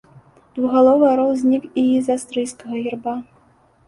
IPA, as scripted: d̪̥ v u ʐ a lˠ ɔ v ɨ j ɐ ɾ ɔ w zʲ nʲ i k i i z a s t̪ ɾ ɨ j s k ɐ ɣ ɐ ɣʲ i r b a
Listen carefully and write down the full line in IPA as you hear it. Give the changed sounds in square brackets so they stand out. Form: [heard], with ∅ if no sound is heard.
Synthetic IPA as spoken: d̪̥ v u [ɣ] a lˠ ɔ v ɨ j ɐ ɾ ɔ w zʲ nʲ i k i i z a s t̪ ɾ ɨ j s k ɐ ɣ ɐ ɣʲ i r b a